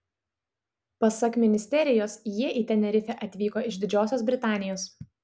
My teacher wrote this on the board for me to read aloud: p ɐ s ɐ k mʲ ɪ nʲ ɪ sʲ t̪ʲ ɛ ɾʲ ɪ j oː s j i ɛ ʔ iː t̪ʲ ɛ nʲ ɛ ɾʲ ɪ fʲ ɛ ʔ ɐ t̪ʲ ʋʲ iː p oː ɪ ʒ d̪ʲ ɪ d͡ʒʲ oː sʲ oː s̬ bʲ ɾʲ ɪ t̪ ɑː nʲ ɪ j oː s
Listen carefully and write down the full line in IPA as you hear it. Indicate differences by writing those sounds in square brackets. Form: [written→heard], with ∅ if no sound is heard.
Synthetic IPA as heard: p ɐ s ɐ k mʲ ɪ nʲ ɪ sʲ t̪ʲ ɛ ɾʲ ɪ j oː s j i ɛ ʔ iː t̪ʲ ɛ nʲ ɛ ɾʲ ɪ fʲ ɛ ʔ ɐ t̪ʲ ʋʲ iː [p→k] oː ɪ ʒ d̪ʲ ɪ d͡ʒʲ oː sʲ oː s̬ bʲ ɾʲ ɪ t̪ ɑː nʲ ɪ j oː s